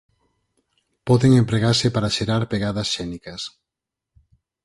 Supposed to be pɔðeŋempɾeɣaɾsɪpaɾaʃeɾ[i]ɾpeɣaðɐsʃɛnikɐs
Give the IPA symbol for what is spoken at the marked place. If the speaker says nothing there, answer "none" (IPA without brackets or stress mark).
a